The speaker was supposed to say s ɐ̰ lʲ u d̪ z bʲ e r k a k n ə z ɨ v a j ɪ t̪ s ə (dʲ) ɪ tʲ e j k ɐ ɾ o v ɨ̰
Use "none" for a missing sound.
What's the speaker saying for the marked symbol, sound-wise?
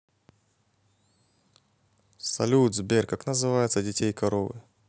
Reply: dʲ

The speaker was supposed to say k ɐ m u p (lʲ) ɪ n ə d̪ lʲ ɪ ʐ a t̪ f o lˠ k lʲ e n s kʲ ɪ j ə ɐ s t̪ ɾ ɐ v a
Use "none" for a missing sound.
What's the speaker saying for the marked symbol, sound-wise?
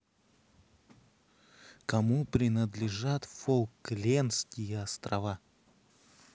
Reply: ɾʲ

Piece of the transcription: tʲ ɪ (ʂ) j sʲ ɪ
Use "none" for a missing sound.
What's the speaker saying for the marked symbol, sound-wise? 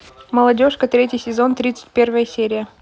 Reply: none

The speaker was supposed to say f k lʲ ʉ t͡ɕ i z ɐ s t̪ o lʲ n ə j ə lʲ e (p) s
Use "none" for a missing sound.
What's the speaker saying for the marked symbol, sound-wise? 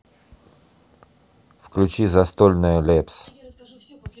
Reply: p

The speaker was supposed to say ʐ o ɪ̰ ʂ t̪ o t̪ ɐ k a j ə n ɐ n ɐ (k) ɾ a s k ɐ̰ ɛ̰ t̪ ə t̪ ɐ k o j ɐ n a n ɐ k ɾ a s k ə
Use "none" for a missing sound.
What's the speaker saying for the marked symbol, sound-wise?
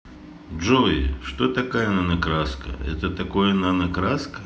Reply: k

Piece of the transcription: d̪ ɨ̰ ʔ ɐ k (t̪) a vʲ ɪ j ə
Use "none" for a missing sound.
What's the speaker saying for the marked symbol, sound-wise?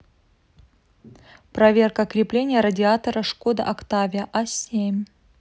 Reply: t̪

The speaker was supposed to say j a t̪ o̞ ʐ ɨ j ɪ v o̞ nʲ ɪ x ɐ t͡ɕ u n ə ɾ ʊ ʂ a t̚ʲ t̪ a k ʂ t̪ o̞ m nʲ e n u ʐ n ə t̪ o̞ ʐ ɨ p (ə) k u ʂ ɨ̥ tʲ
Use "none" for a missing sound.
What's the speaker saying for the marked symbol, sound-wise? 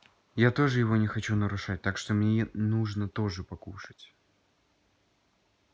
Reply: ɐ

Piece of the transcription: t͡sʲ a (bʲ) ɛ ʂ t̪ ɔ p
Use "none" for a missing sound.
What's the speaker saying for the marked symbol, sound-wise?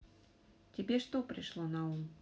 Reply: bʲ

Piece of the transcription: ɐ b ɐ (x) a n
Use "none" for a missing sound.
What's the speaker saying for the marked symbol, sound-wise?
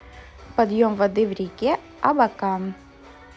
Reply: k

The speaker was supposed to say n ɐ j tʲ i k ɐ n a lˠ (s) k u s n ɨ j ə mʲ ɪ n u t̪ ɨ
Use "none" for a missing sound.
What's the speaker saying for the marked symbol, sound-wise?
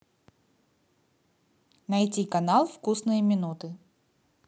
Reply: f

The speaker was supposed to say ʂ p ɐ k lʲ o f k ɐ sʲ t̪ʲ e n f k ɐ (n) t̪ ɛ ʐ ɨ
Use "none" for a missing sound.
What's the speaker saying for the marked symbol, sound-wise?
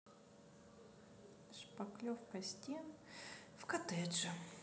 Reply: none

